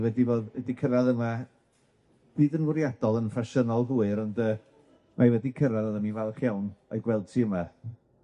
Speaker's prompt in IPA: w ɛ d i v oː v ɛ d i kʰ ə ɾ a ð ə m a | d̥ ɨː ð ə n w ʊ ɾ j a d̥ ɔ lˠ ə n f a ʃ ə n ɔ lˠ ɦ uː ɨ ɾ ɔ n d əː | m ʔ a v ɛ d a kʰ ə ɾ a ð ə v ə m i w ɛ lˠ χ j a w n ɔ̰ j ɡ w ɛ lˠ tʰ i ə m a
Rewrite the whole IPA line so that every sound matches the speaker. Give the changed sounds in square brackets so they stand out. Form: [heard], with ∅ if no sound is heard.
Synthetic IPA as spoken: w ɛ d i v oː [ð] ɛ d i kʰ ə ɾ a ð ə m a | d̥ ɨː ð ə n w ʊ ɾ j a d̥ ɔ lˠ ə n f a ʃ ə n ɔ lˠ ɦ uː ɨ ɾ ɔ n d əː | m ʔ a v ɛ d [i] kʰ ə ɾ a ð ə [ð] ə m i [v] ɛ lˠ χ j a w n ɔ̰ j ɡ w ɛ lˠ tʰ i ə m a